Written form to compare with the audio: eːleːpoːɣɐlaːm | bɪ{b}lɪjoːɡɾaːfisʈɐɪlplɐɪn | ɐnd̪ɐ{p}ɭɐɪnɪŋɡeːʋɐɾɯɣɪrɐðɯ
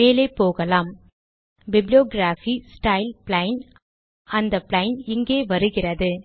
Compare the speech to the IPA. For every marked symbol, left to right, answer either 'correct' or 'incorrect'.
correct, correct

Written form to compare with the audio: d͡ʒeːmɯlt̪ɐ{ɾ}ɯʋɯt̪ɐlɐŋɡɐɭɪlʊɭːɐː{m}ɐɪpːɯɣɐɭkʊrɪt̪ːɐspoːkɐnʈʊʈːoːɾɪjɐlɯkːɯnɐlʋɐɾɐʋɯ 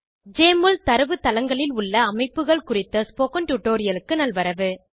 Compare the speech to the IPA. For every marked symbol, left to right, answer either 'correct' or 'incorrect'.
correct, correct

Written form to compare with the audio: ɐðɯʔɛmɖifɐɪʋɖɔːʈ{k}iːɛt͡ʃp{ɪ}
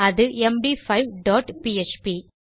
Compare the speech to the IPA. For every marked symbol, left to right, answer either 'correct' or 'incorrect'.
incorrect: p, incorrect: i

